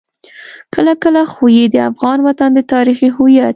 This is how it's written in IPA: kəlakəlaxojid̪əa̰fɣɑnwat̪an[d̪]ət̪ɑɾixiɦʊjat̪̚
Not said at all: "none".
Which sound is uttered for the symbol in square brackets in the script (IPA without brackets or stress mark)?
d̪